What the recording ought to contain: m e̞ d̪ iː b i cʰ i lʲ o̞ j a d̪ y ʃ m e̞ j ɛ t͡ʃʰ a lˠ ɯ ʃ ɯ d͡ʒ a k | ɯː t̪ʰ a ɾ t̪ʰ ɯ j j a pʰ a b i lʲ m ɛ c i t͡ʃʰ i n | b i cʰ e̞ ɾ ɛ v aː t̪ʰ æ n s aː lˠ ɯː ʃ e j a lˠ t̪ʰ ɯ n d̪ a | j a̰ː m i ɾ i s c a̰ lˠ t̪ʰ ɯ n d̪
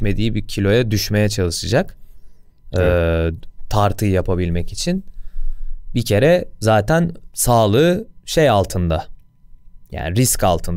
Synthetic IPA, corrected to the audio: m e̞ d̪ iː b i cʰ i lʲ o̞ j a d̪ y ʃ m e̞ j ɛ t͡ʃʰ a lˠ ɯ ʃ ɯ d͡ʒ a k | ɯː t̪ʰ a ɾ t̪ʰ ɯ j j a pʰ a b i lʲ m ɛ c i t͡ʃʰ i n | b i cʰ e̞ ɾ ɛ z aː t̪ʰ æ n s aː lˠ ɯː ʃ e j a lˠ t̪ʰ ɯ n d̪ a | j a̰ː n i ɾ i s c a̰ lˠ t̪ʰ ɯ n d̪